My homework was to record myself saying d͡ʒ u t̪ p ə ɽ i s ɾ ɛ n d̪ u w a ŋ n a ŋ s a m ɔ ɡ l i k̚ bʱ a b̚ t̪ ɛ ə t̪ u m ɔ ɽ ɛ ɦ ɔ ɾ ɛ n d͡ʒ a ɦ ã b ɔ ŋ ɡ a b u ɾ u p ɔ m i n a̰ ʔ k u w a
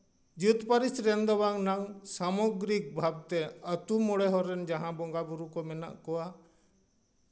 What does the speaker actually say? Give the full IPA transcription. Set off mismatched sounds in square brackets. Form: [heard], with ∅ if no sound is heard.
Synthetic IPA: d͡ʒ u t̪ p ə [ɾ] i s ɾ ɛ n d̪ [ɔ] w a ŋ n a ŋ s a m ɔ ɡ [ɾ] i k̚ bʱ a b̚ t̪ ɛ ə t̪ u m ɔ ɽ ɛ ɦ ɔ ɾ ɛ n d͡ʒ a ɦ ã b ɔ ŋ ɡ a b u ɾ u [k] ɔ m [ɛ] n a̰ ʔ k [ɔ] w a